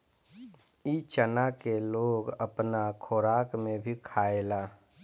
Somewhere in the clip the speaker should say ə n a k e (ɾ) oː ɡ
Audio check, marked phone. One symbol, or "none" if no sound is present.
l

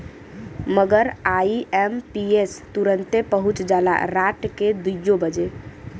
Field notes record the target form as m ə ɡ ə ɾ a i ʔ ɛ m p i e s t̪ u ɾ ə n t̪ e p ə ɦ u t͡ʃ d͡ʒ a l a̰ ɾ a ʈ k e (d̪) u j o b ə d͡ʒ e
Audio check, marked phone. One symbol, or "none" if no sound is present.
d̪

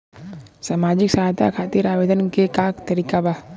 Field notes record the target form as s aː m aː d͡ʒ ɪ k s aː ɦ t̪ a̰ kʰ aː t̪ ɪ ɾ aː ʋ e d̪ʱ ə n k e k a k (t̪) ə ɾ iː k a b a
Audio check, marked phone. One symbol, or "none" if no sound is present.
t̪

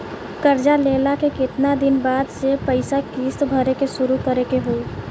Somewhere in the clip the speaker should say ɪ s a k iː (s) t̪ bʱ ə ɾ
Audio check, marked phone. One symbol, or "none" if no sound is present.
s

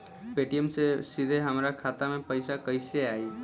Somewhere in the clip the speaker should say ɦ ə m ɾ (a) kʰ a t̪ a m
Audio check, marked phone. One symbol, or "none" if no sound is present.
a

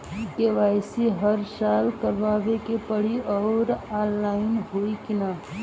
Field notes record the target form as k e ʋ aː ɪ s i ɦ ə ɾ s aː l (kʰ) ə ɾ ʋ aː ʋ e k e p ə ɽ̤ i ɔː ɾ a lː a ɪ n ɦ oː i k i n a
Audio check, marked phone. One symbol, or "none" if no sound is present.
k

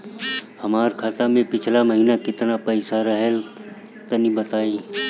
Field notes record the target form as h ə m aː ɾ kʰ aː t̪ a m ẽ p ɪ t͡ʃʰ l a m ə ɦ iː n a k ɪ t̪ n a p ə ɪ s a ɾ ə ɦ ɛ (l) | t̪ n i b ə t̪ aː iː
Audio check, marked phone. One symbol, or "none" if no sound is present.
l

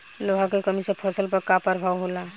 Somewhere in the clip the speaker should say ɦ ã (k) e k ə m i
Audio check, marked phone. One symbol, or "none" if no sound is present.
k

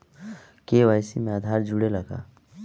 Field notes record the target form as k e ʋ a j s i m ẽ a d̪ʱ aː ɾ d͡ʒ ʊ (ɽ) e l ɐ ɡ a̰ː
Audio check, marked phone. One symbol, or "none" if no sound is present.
ɽ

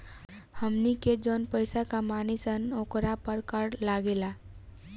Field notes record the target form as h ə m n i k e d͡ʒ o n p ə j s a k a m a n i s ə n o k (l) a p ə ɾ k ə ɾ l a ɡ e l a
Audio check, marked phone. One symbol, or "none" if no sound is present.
ɾ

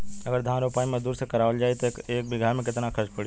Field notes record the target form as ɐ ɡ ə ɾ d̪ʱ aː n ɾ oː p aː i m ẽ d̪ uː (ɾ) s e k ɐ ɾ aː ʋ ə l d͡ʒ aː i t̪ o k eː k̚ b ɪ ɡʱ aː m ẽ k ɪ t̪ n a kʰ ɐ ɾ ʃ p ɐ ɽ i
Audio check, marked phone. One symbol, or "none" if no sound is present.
ɾ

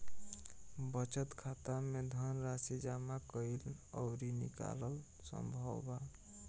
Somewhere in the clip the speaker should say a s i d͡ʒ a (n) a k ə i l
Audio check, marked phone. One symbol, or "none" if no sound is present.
m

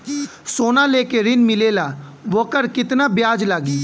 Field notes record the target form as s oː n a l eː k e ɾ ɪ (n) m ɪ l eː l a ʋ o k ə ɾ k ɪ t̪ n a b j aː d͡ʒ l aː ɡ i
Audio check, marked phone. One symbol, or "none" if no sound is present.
n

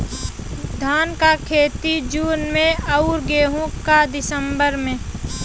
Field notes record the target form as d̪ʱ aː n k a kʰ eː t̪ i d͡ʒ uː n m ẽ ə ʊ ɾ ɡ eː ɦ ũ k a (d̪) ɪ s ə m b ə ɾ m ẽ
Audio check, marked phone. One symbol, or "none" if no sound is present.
d̪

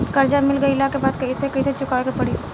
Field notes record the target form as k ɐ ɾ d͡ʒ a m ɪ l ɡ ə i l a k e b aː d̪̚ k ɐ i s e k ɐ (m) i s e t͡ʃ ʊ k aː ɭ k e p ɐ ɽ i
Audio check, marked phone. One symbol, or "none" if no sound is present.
none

